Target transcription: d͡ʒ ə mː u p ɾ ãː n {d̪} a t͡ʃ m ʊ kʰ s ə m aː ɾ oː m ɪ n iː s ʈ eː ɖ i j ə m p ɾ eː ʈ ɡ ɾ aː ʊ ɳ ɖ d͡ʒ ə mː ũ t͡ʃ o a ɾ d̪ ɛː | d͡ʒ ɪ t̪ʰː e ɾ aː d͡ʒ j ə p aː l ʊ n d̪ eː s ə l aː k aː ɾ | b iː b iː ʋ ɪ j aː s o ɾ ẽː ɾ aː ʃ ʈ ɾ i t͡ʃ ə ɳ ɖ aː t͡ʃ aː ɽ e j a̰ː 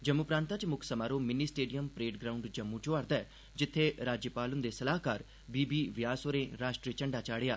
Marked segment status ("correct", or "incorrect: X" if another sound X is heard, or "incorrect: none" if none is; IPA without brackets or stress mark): incorrect: t̪